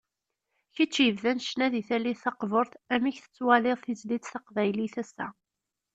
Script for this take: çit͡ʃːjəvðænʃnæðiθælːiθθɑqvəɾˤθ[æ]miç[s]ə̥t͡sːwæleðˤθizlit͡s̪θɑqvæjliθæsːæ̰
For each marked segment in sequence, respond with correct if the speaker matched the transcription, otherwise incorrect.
correct, incorrect: θ

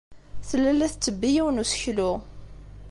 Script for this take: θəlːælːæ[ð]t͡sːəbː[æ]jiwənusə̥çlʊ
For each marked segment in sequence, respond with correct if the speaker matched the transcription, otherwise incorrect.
incorrect: θ, incorrect: i

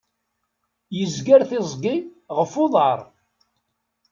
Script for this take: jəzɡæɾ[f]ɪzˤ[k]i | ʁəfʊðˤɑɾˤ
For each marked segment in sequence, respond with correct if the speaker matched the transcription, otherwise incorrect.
incorrect: θ, incorrect: ɡ

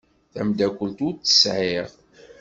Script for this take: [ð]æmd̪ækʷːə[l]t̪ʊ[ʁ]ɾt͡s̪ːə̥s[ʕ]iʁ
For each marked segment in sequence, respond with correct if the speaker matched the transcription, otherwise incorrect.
incorrect: θ, correct, incorrect: none, correct

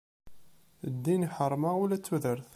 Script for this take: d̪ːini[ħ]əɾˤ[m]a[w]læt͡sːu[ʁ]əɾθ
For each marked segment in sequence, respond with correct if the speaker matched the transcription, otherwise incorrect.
correct, correct, incorrect: u, incorrect: ð

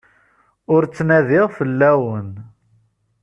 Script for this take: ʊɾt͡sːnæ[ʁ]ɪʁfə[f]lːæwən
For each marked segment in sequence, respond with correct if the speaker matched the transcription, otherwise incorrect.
incorrect: ð, incorrect: none

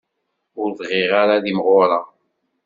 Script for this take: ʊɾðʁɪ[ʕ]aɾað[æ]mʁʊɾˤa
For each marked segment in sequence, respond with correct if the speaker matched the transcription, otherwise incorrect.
incorrect: ʁ, incorrect: i

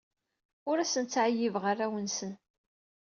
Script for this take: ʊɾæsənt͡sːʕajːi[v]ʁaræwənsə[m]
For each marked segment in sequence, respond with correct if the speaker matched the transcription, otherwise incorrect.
correct, incorrect: n

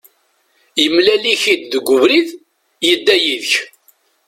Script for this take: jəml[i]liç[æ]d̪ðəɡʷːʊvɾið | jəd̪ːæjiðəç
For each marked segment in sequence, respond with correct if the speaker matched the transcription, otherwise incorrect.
incorrect: æ, incorrect: i

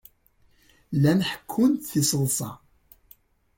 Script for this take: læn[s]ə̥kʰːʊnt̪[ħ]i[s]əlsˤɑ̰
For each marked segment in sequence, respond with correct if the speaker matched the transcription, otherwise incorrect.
incorrect: ħ, incorrect: θ, correct

